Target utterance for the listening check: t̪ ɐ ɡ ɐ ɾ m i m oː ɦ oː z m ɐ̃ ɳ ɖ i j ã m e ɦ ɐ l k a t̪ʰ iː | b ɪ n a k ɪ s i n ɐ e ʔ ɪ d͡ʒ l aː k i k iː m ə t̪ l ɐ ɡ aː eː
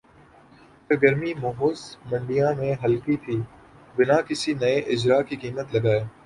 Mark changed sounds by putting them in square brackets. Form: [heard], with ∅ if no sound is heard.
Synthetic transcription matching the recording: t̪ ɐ ɡ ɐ ɾ m i m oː ɦ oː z m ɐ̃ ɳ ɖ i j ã m [ẽ] ɦ ɐ l k [i] t̪ʰ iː | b ɪ n a k ɪ s i n ɐ e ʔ ɪ d͡ʒ [ɾ] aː k i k iː m ə t̪ l ɐ ɡ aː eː